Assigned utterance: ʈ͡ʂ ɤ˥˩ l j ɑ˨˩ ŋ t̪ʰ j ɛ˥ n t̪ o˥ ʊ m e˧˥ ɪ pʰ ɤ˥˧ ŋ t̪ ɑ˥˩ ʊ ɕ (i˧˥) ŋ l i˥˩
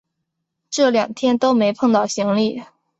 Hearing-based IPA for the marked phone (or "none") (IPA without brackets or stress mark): i˧˥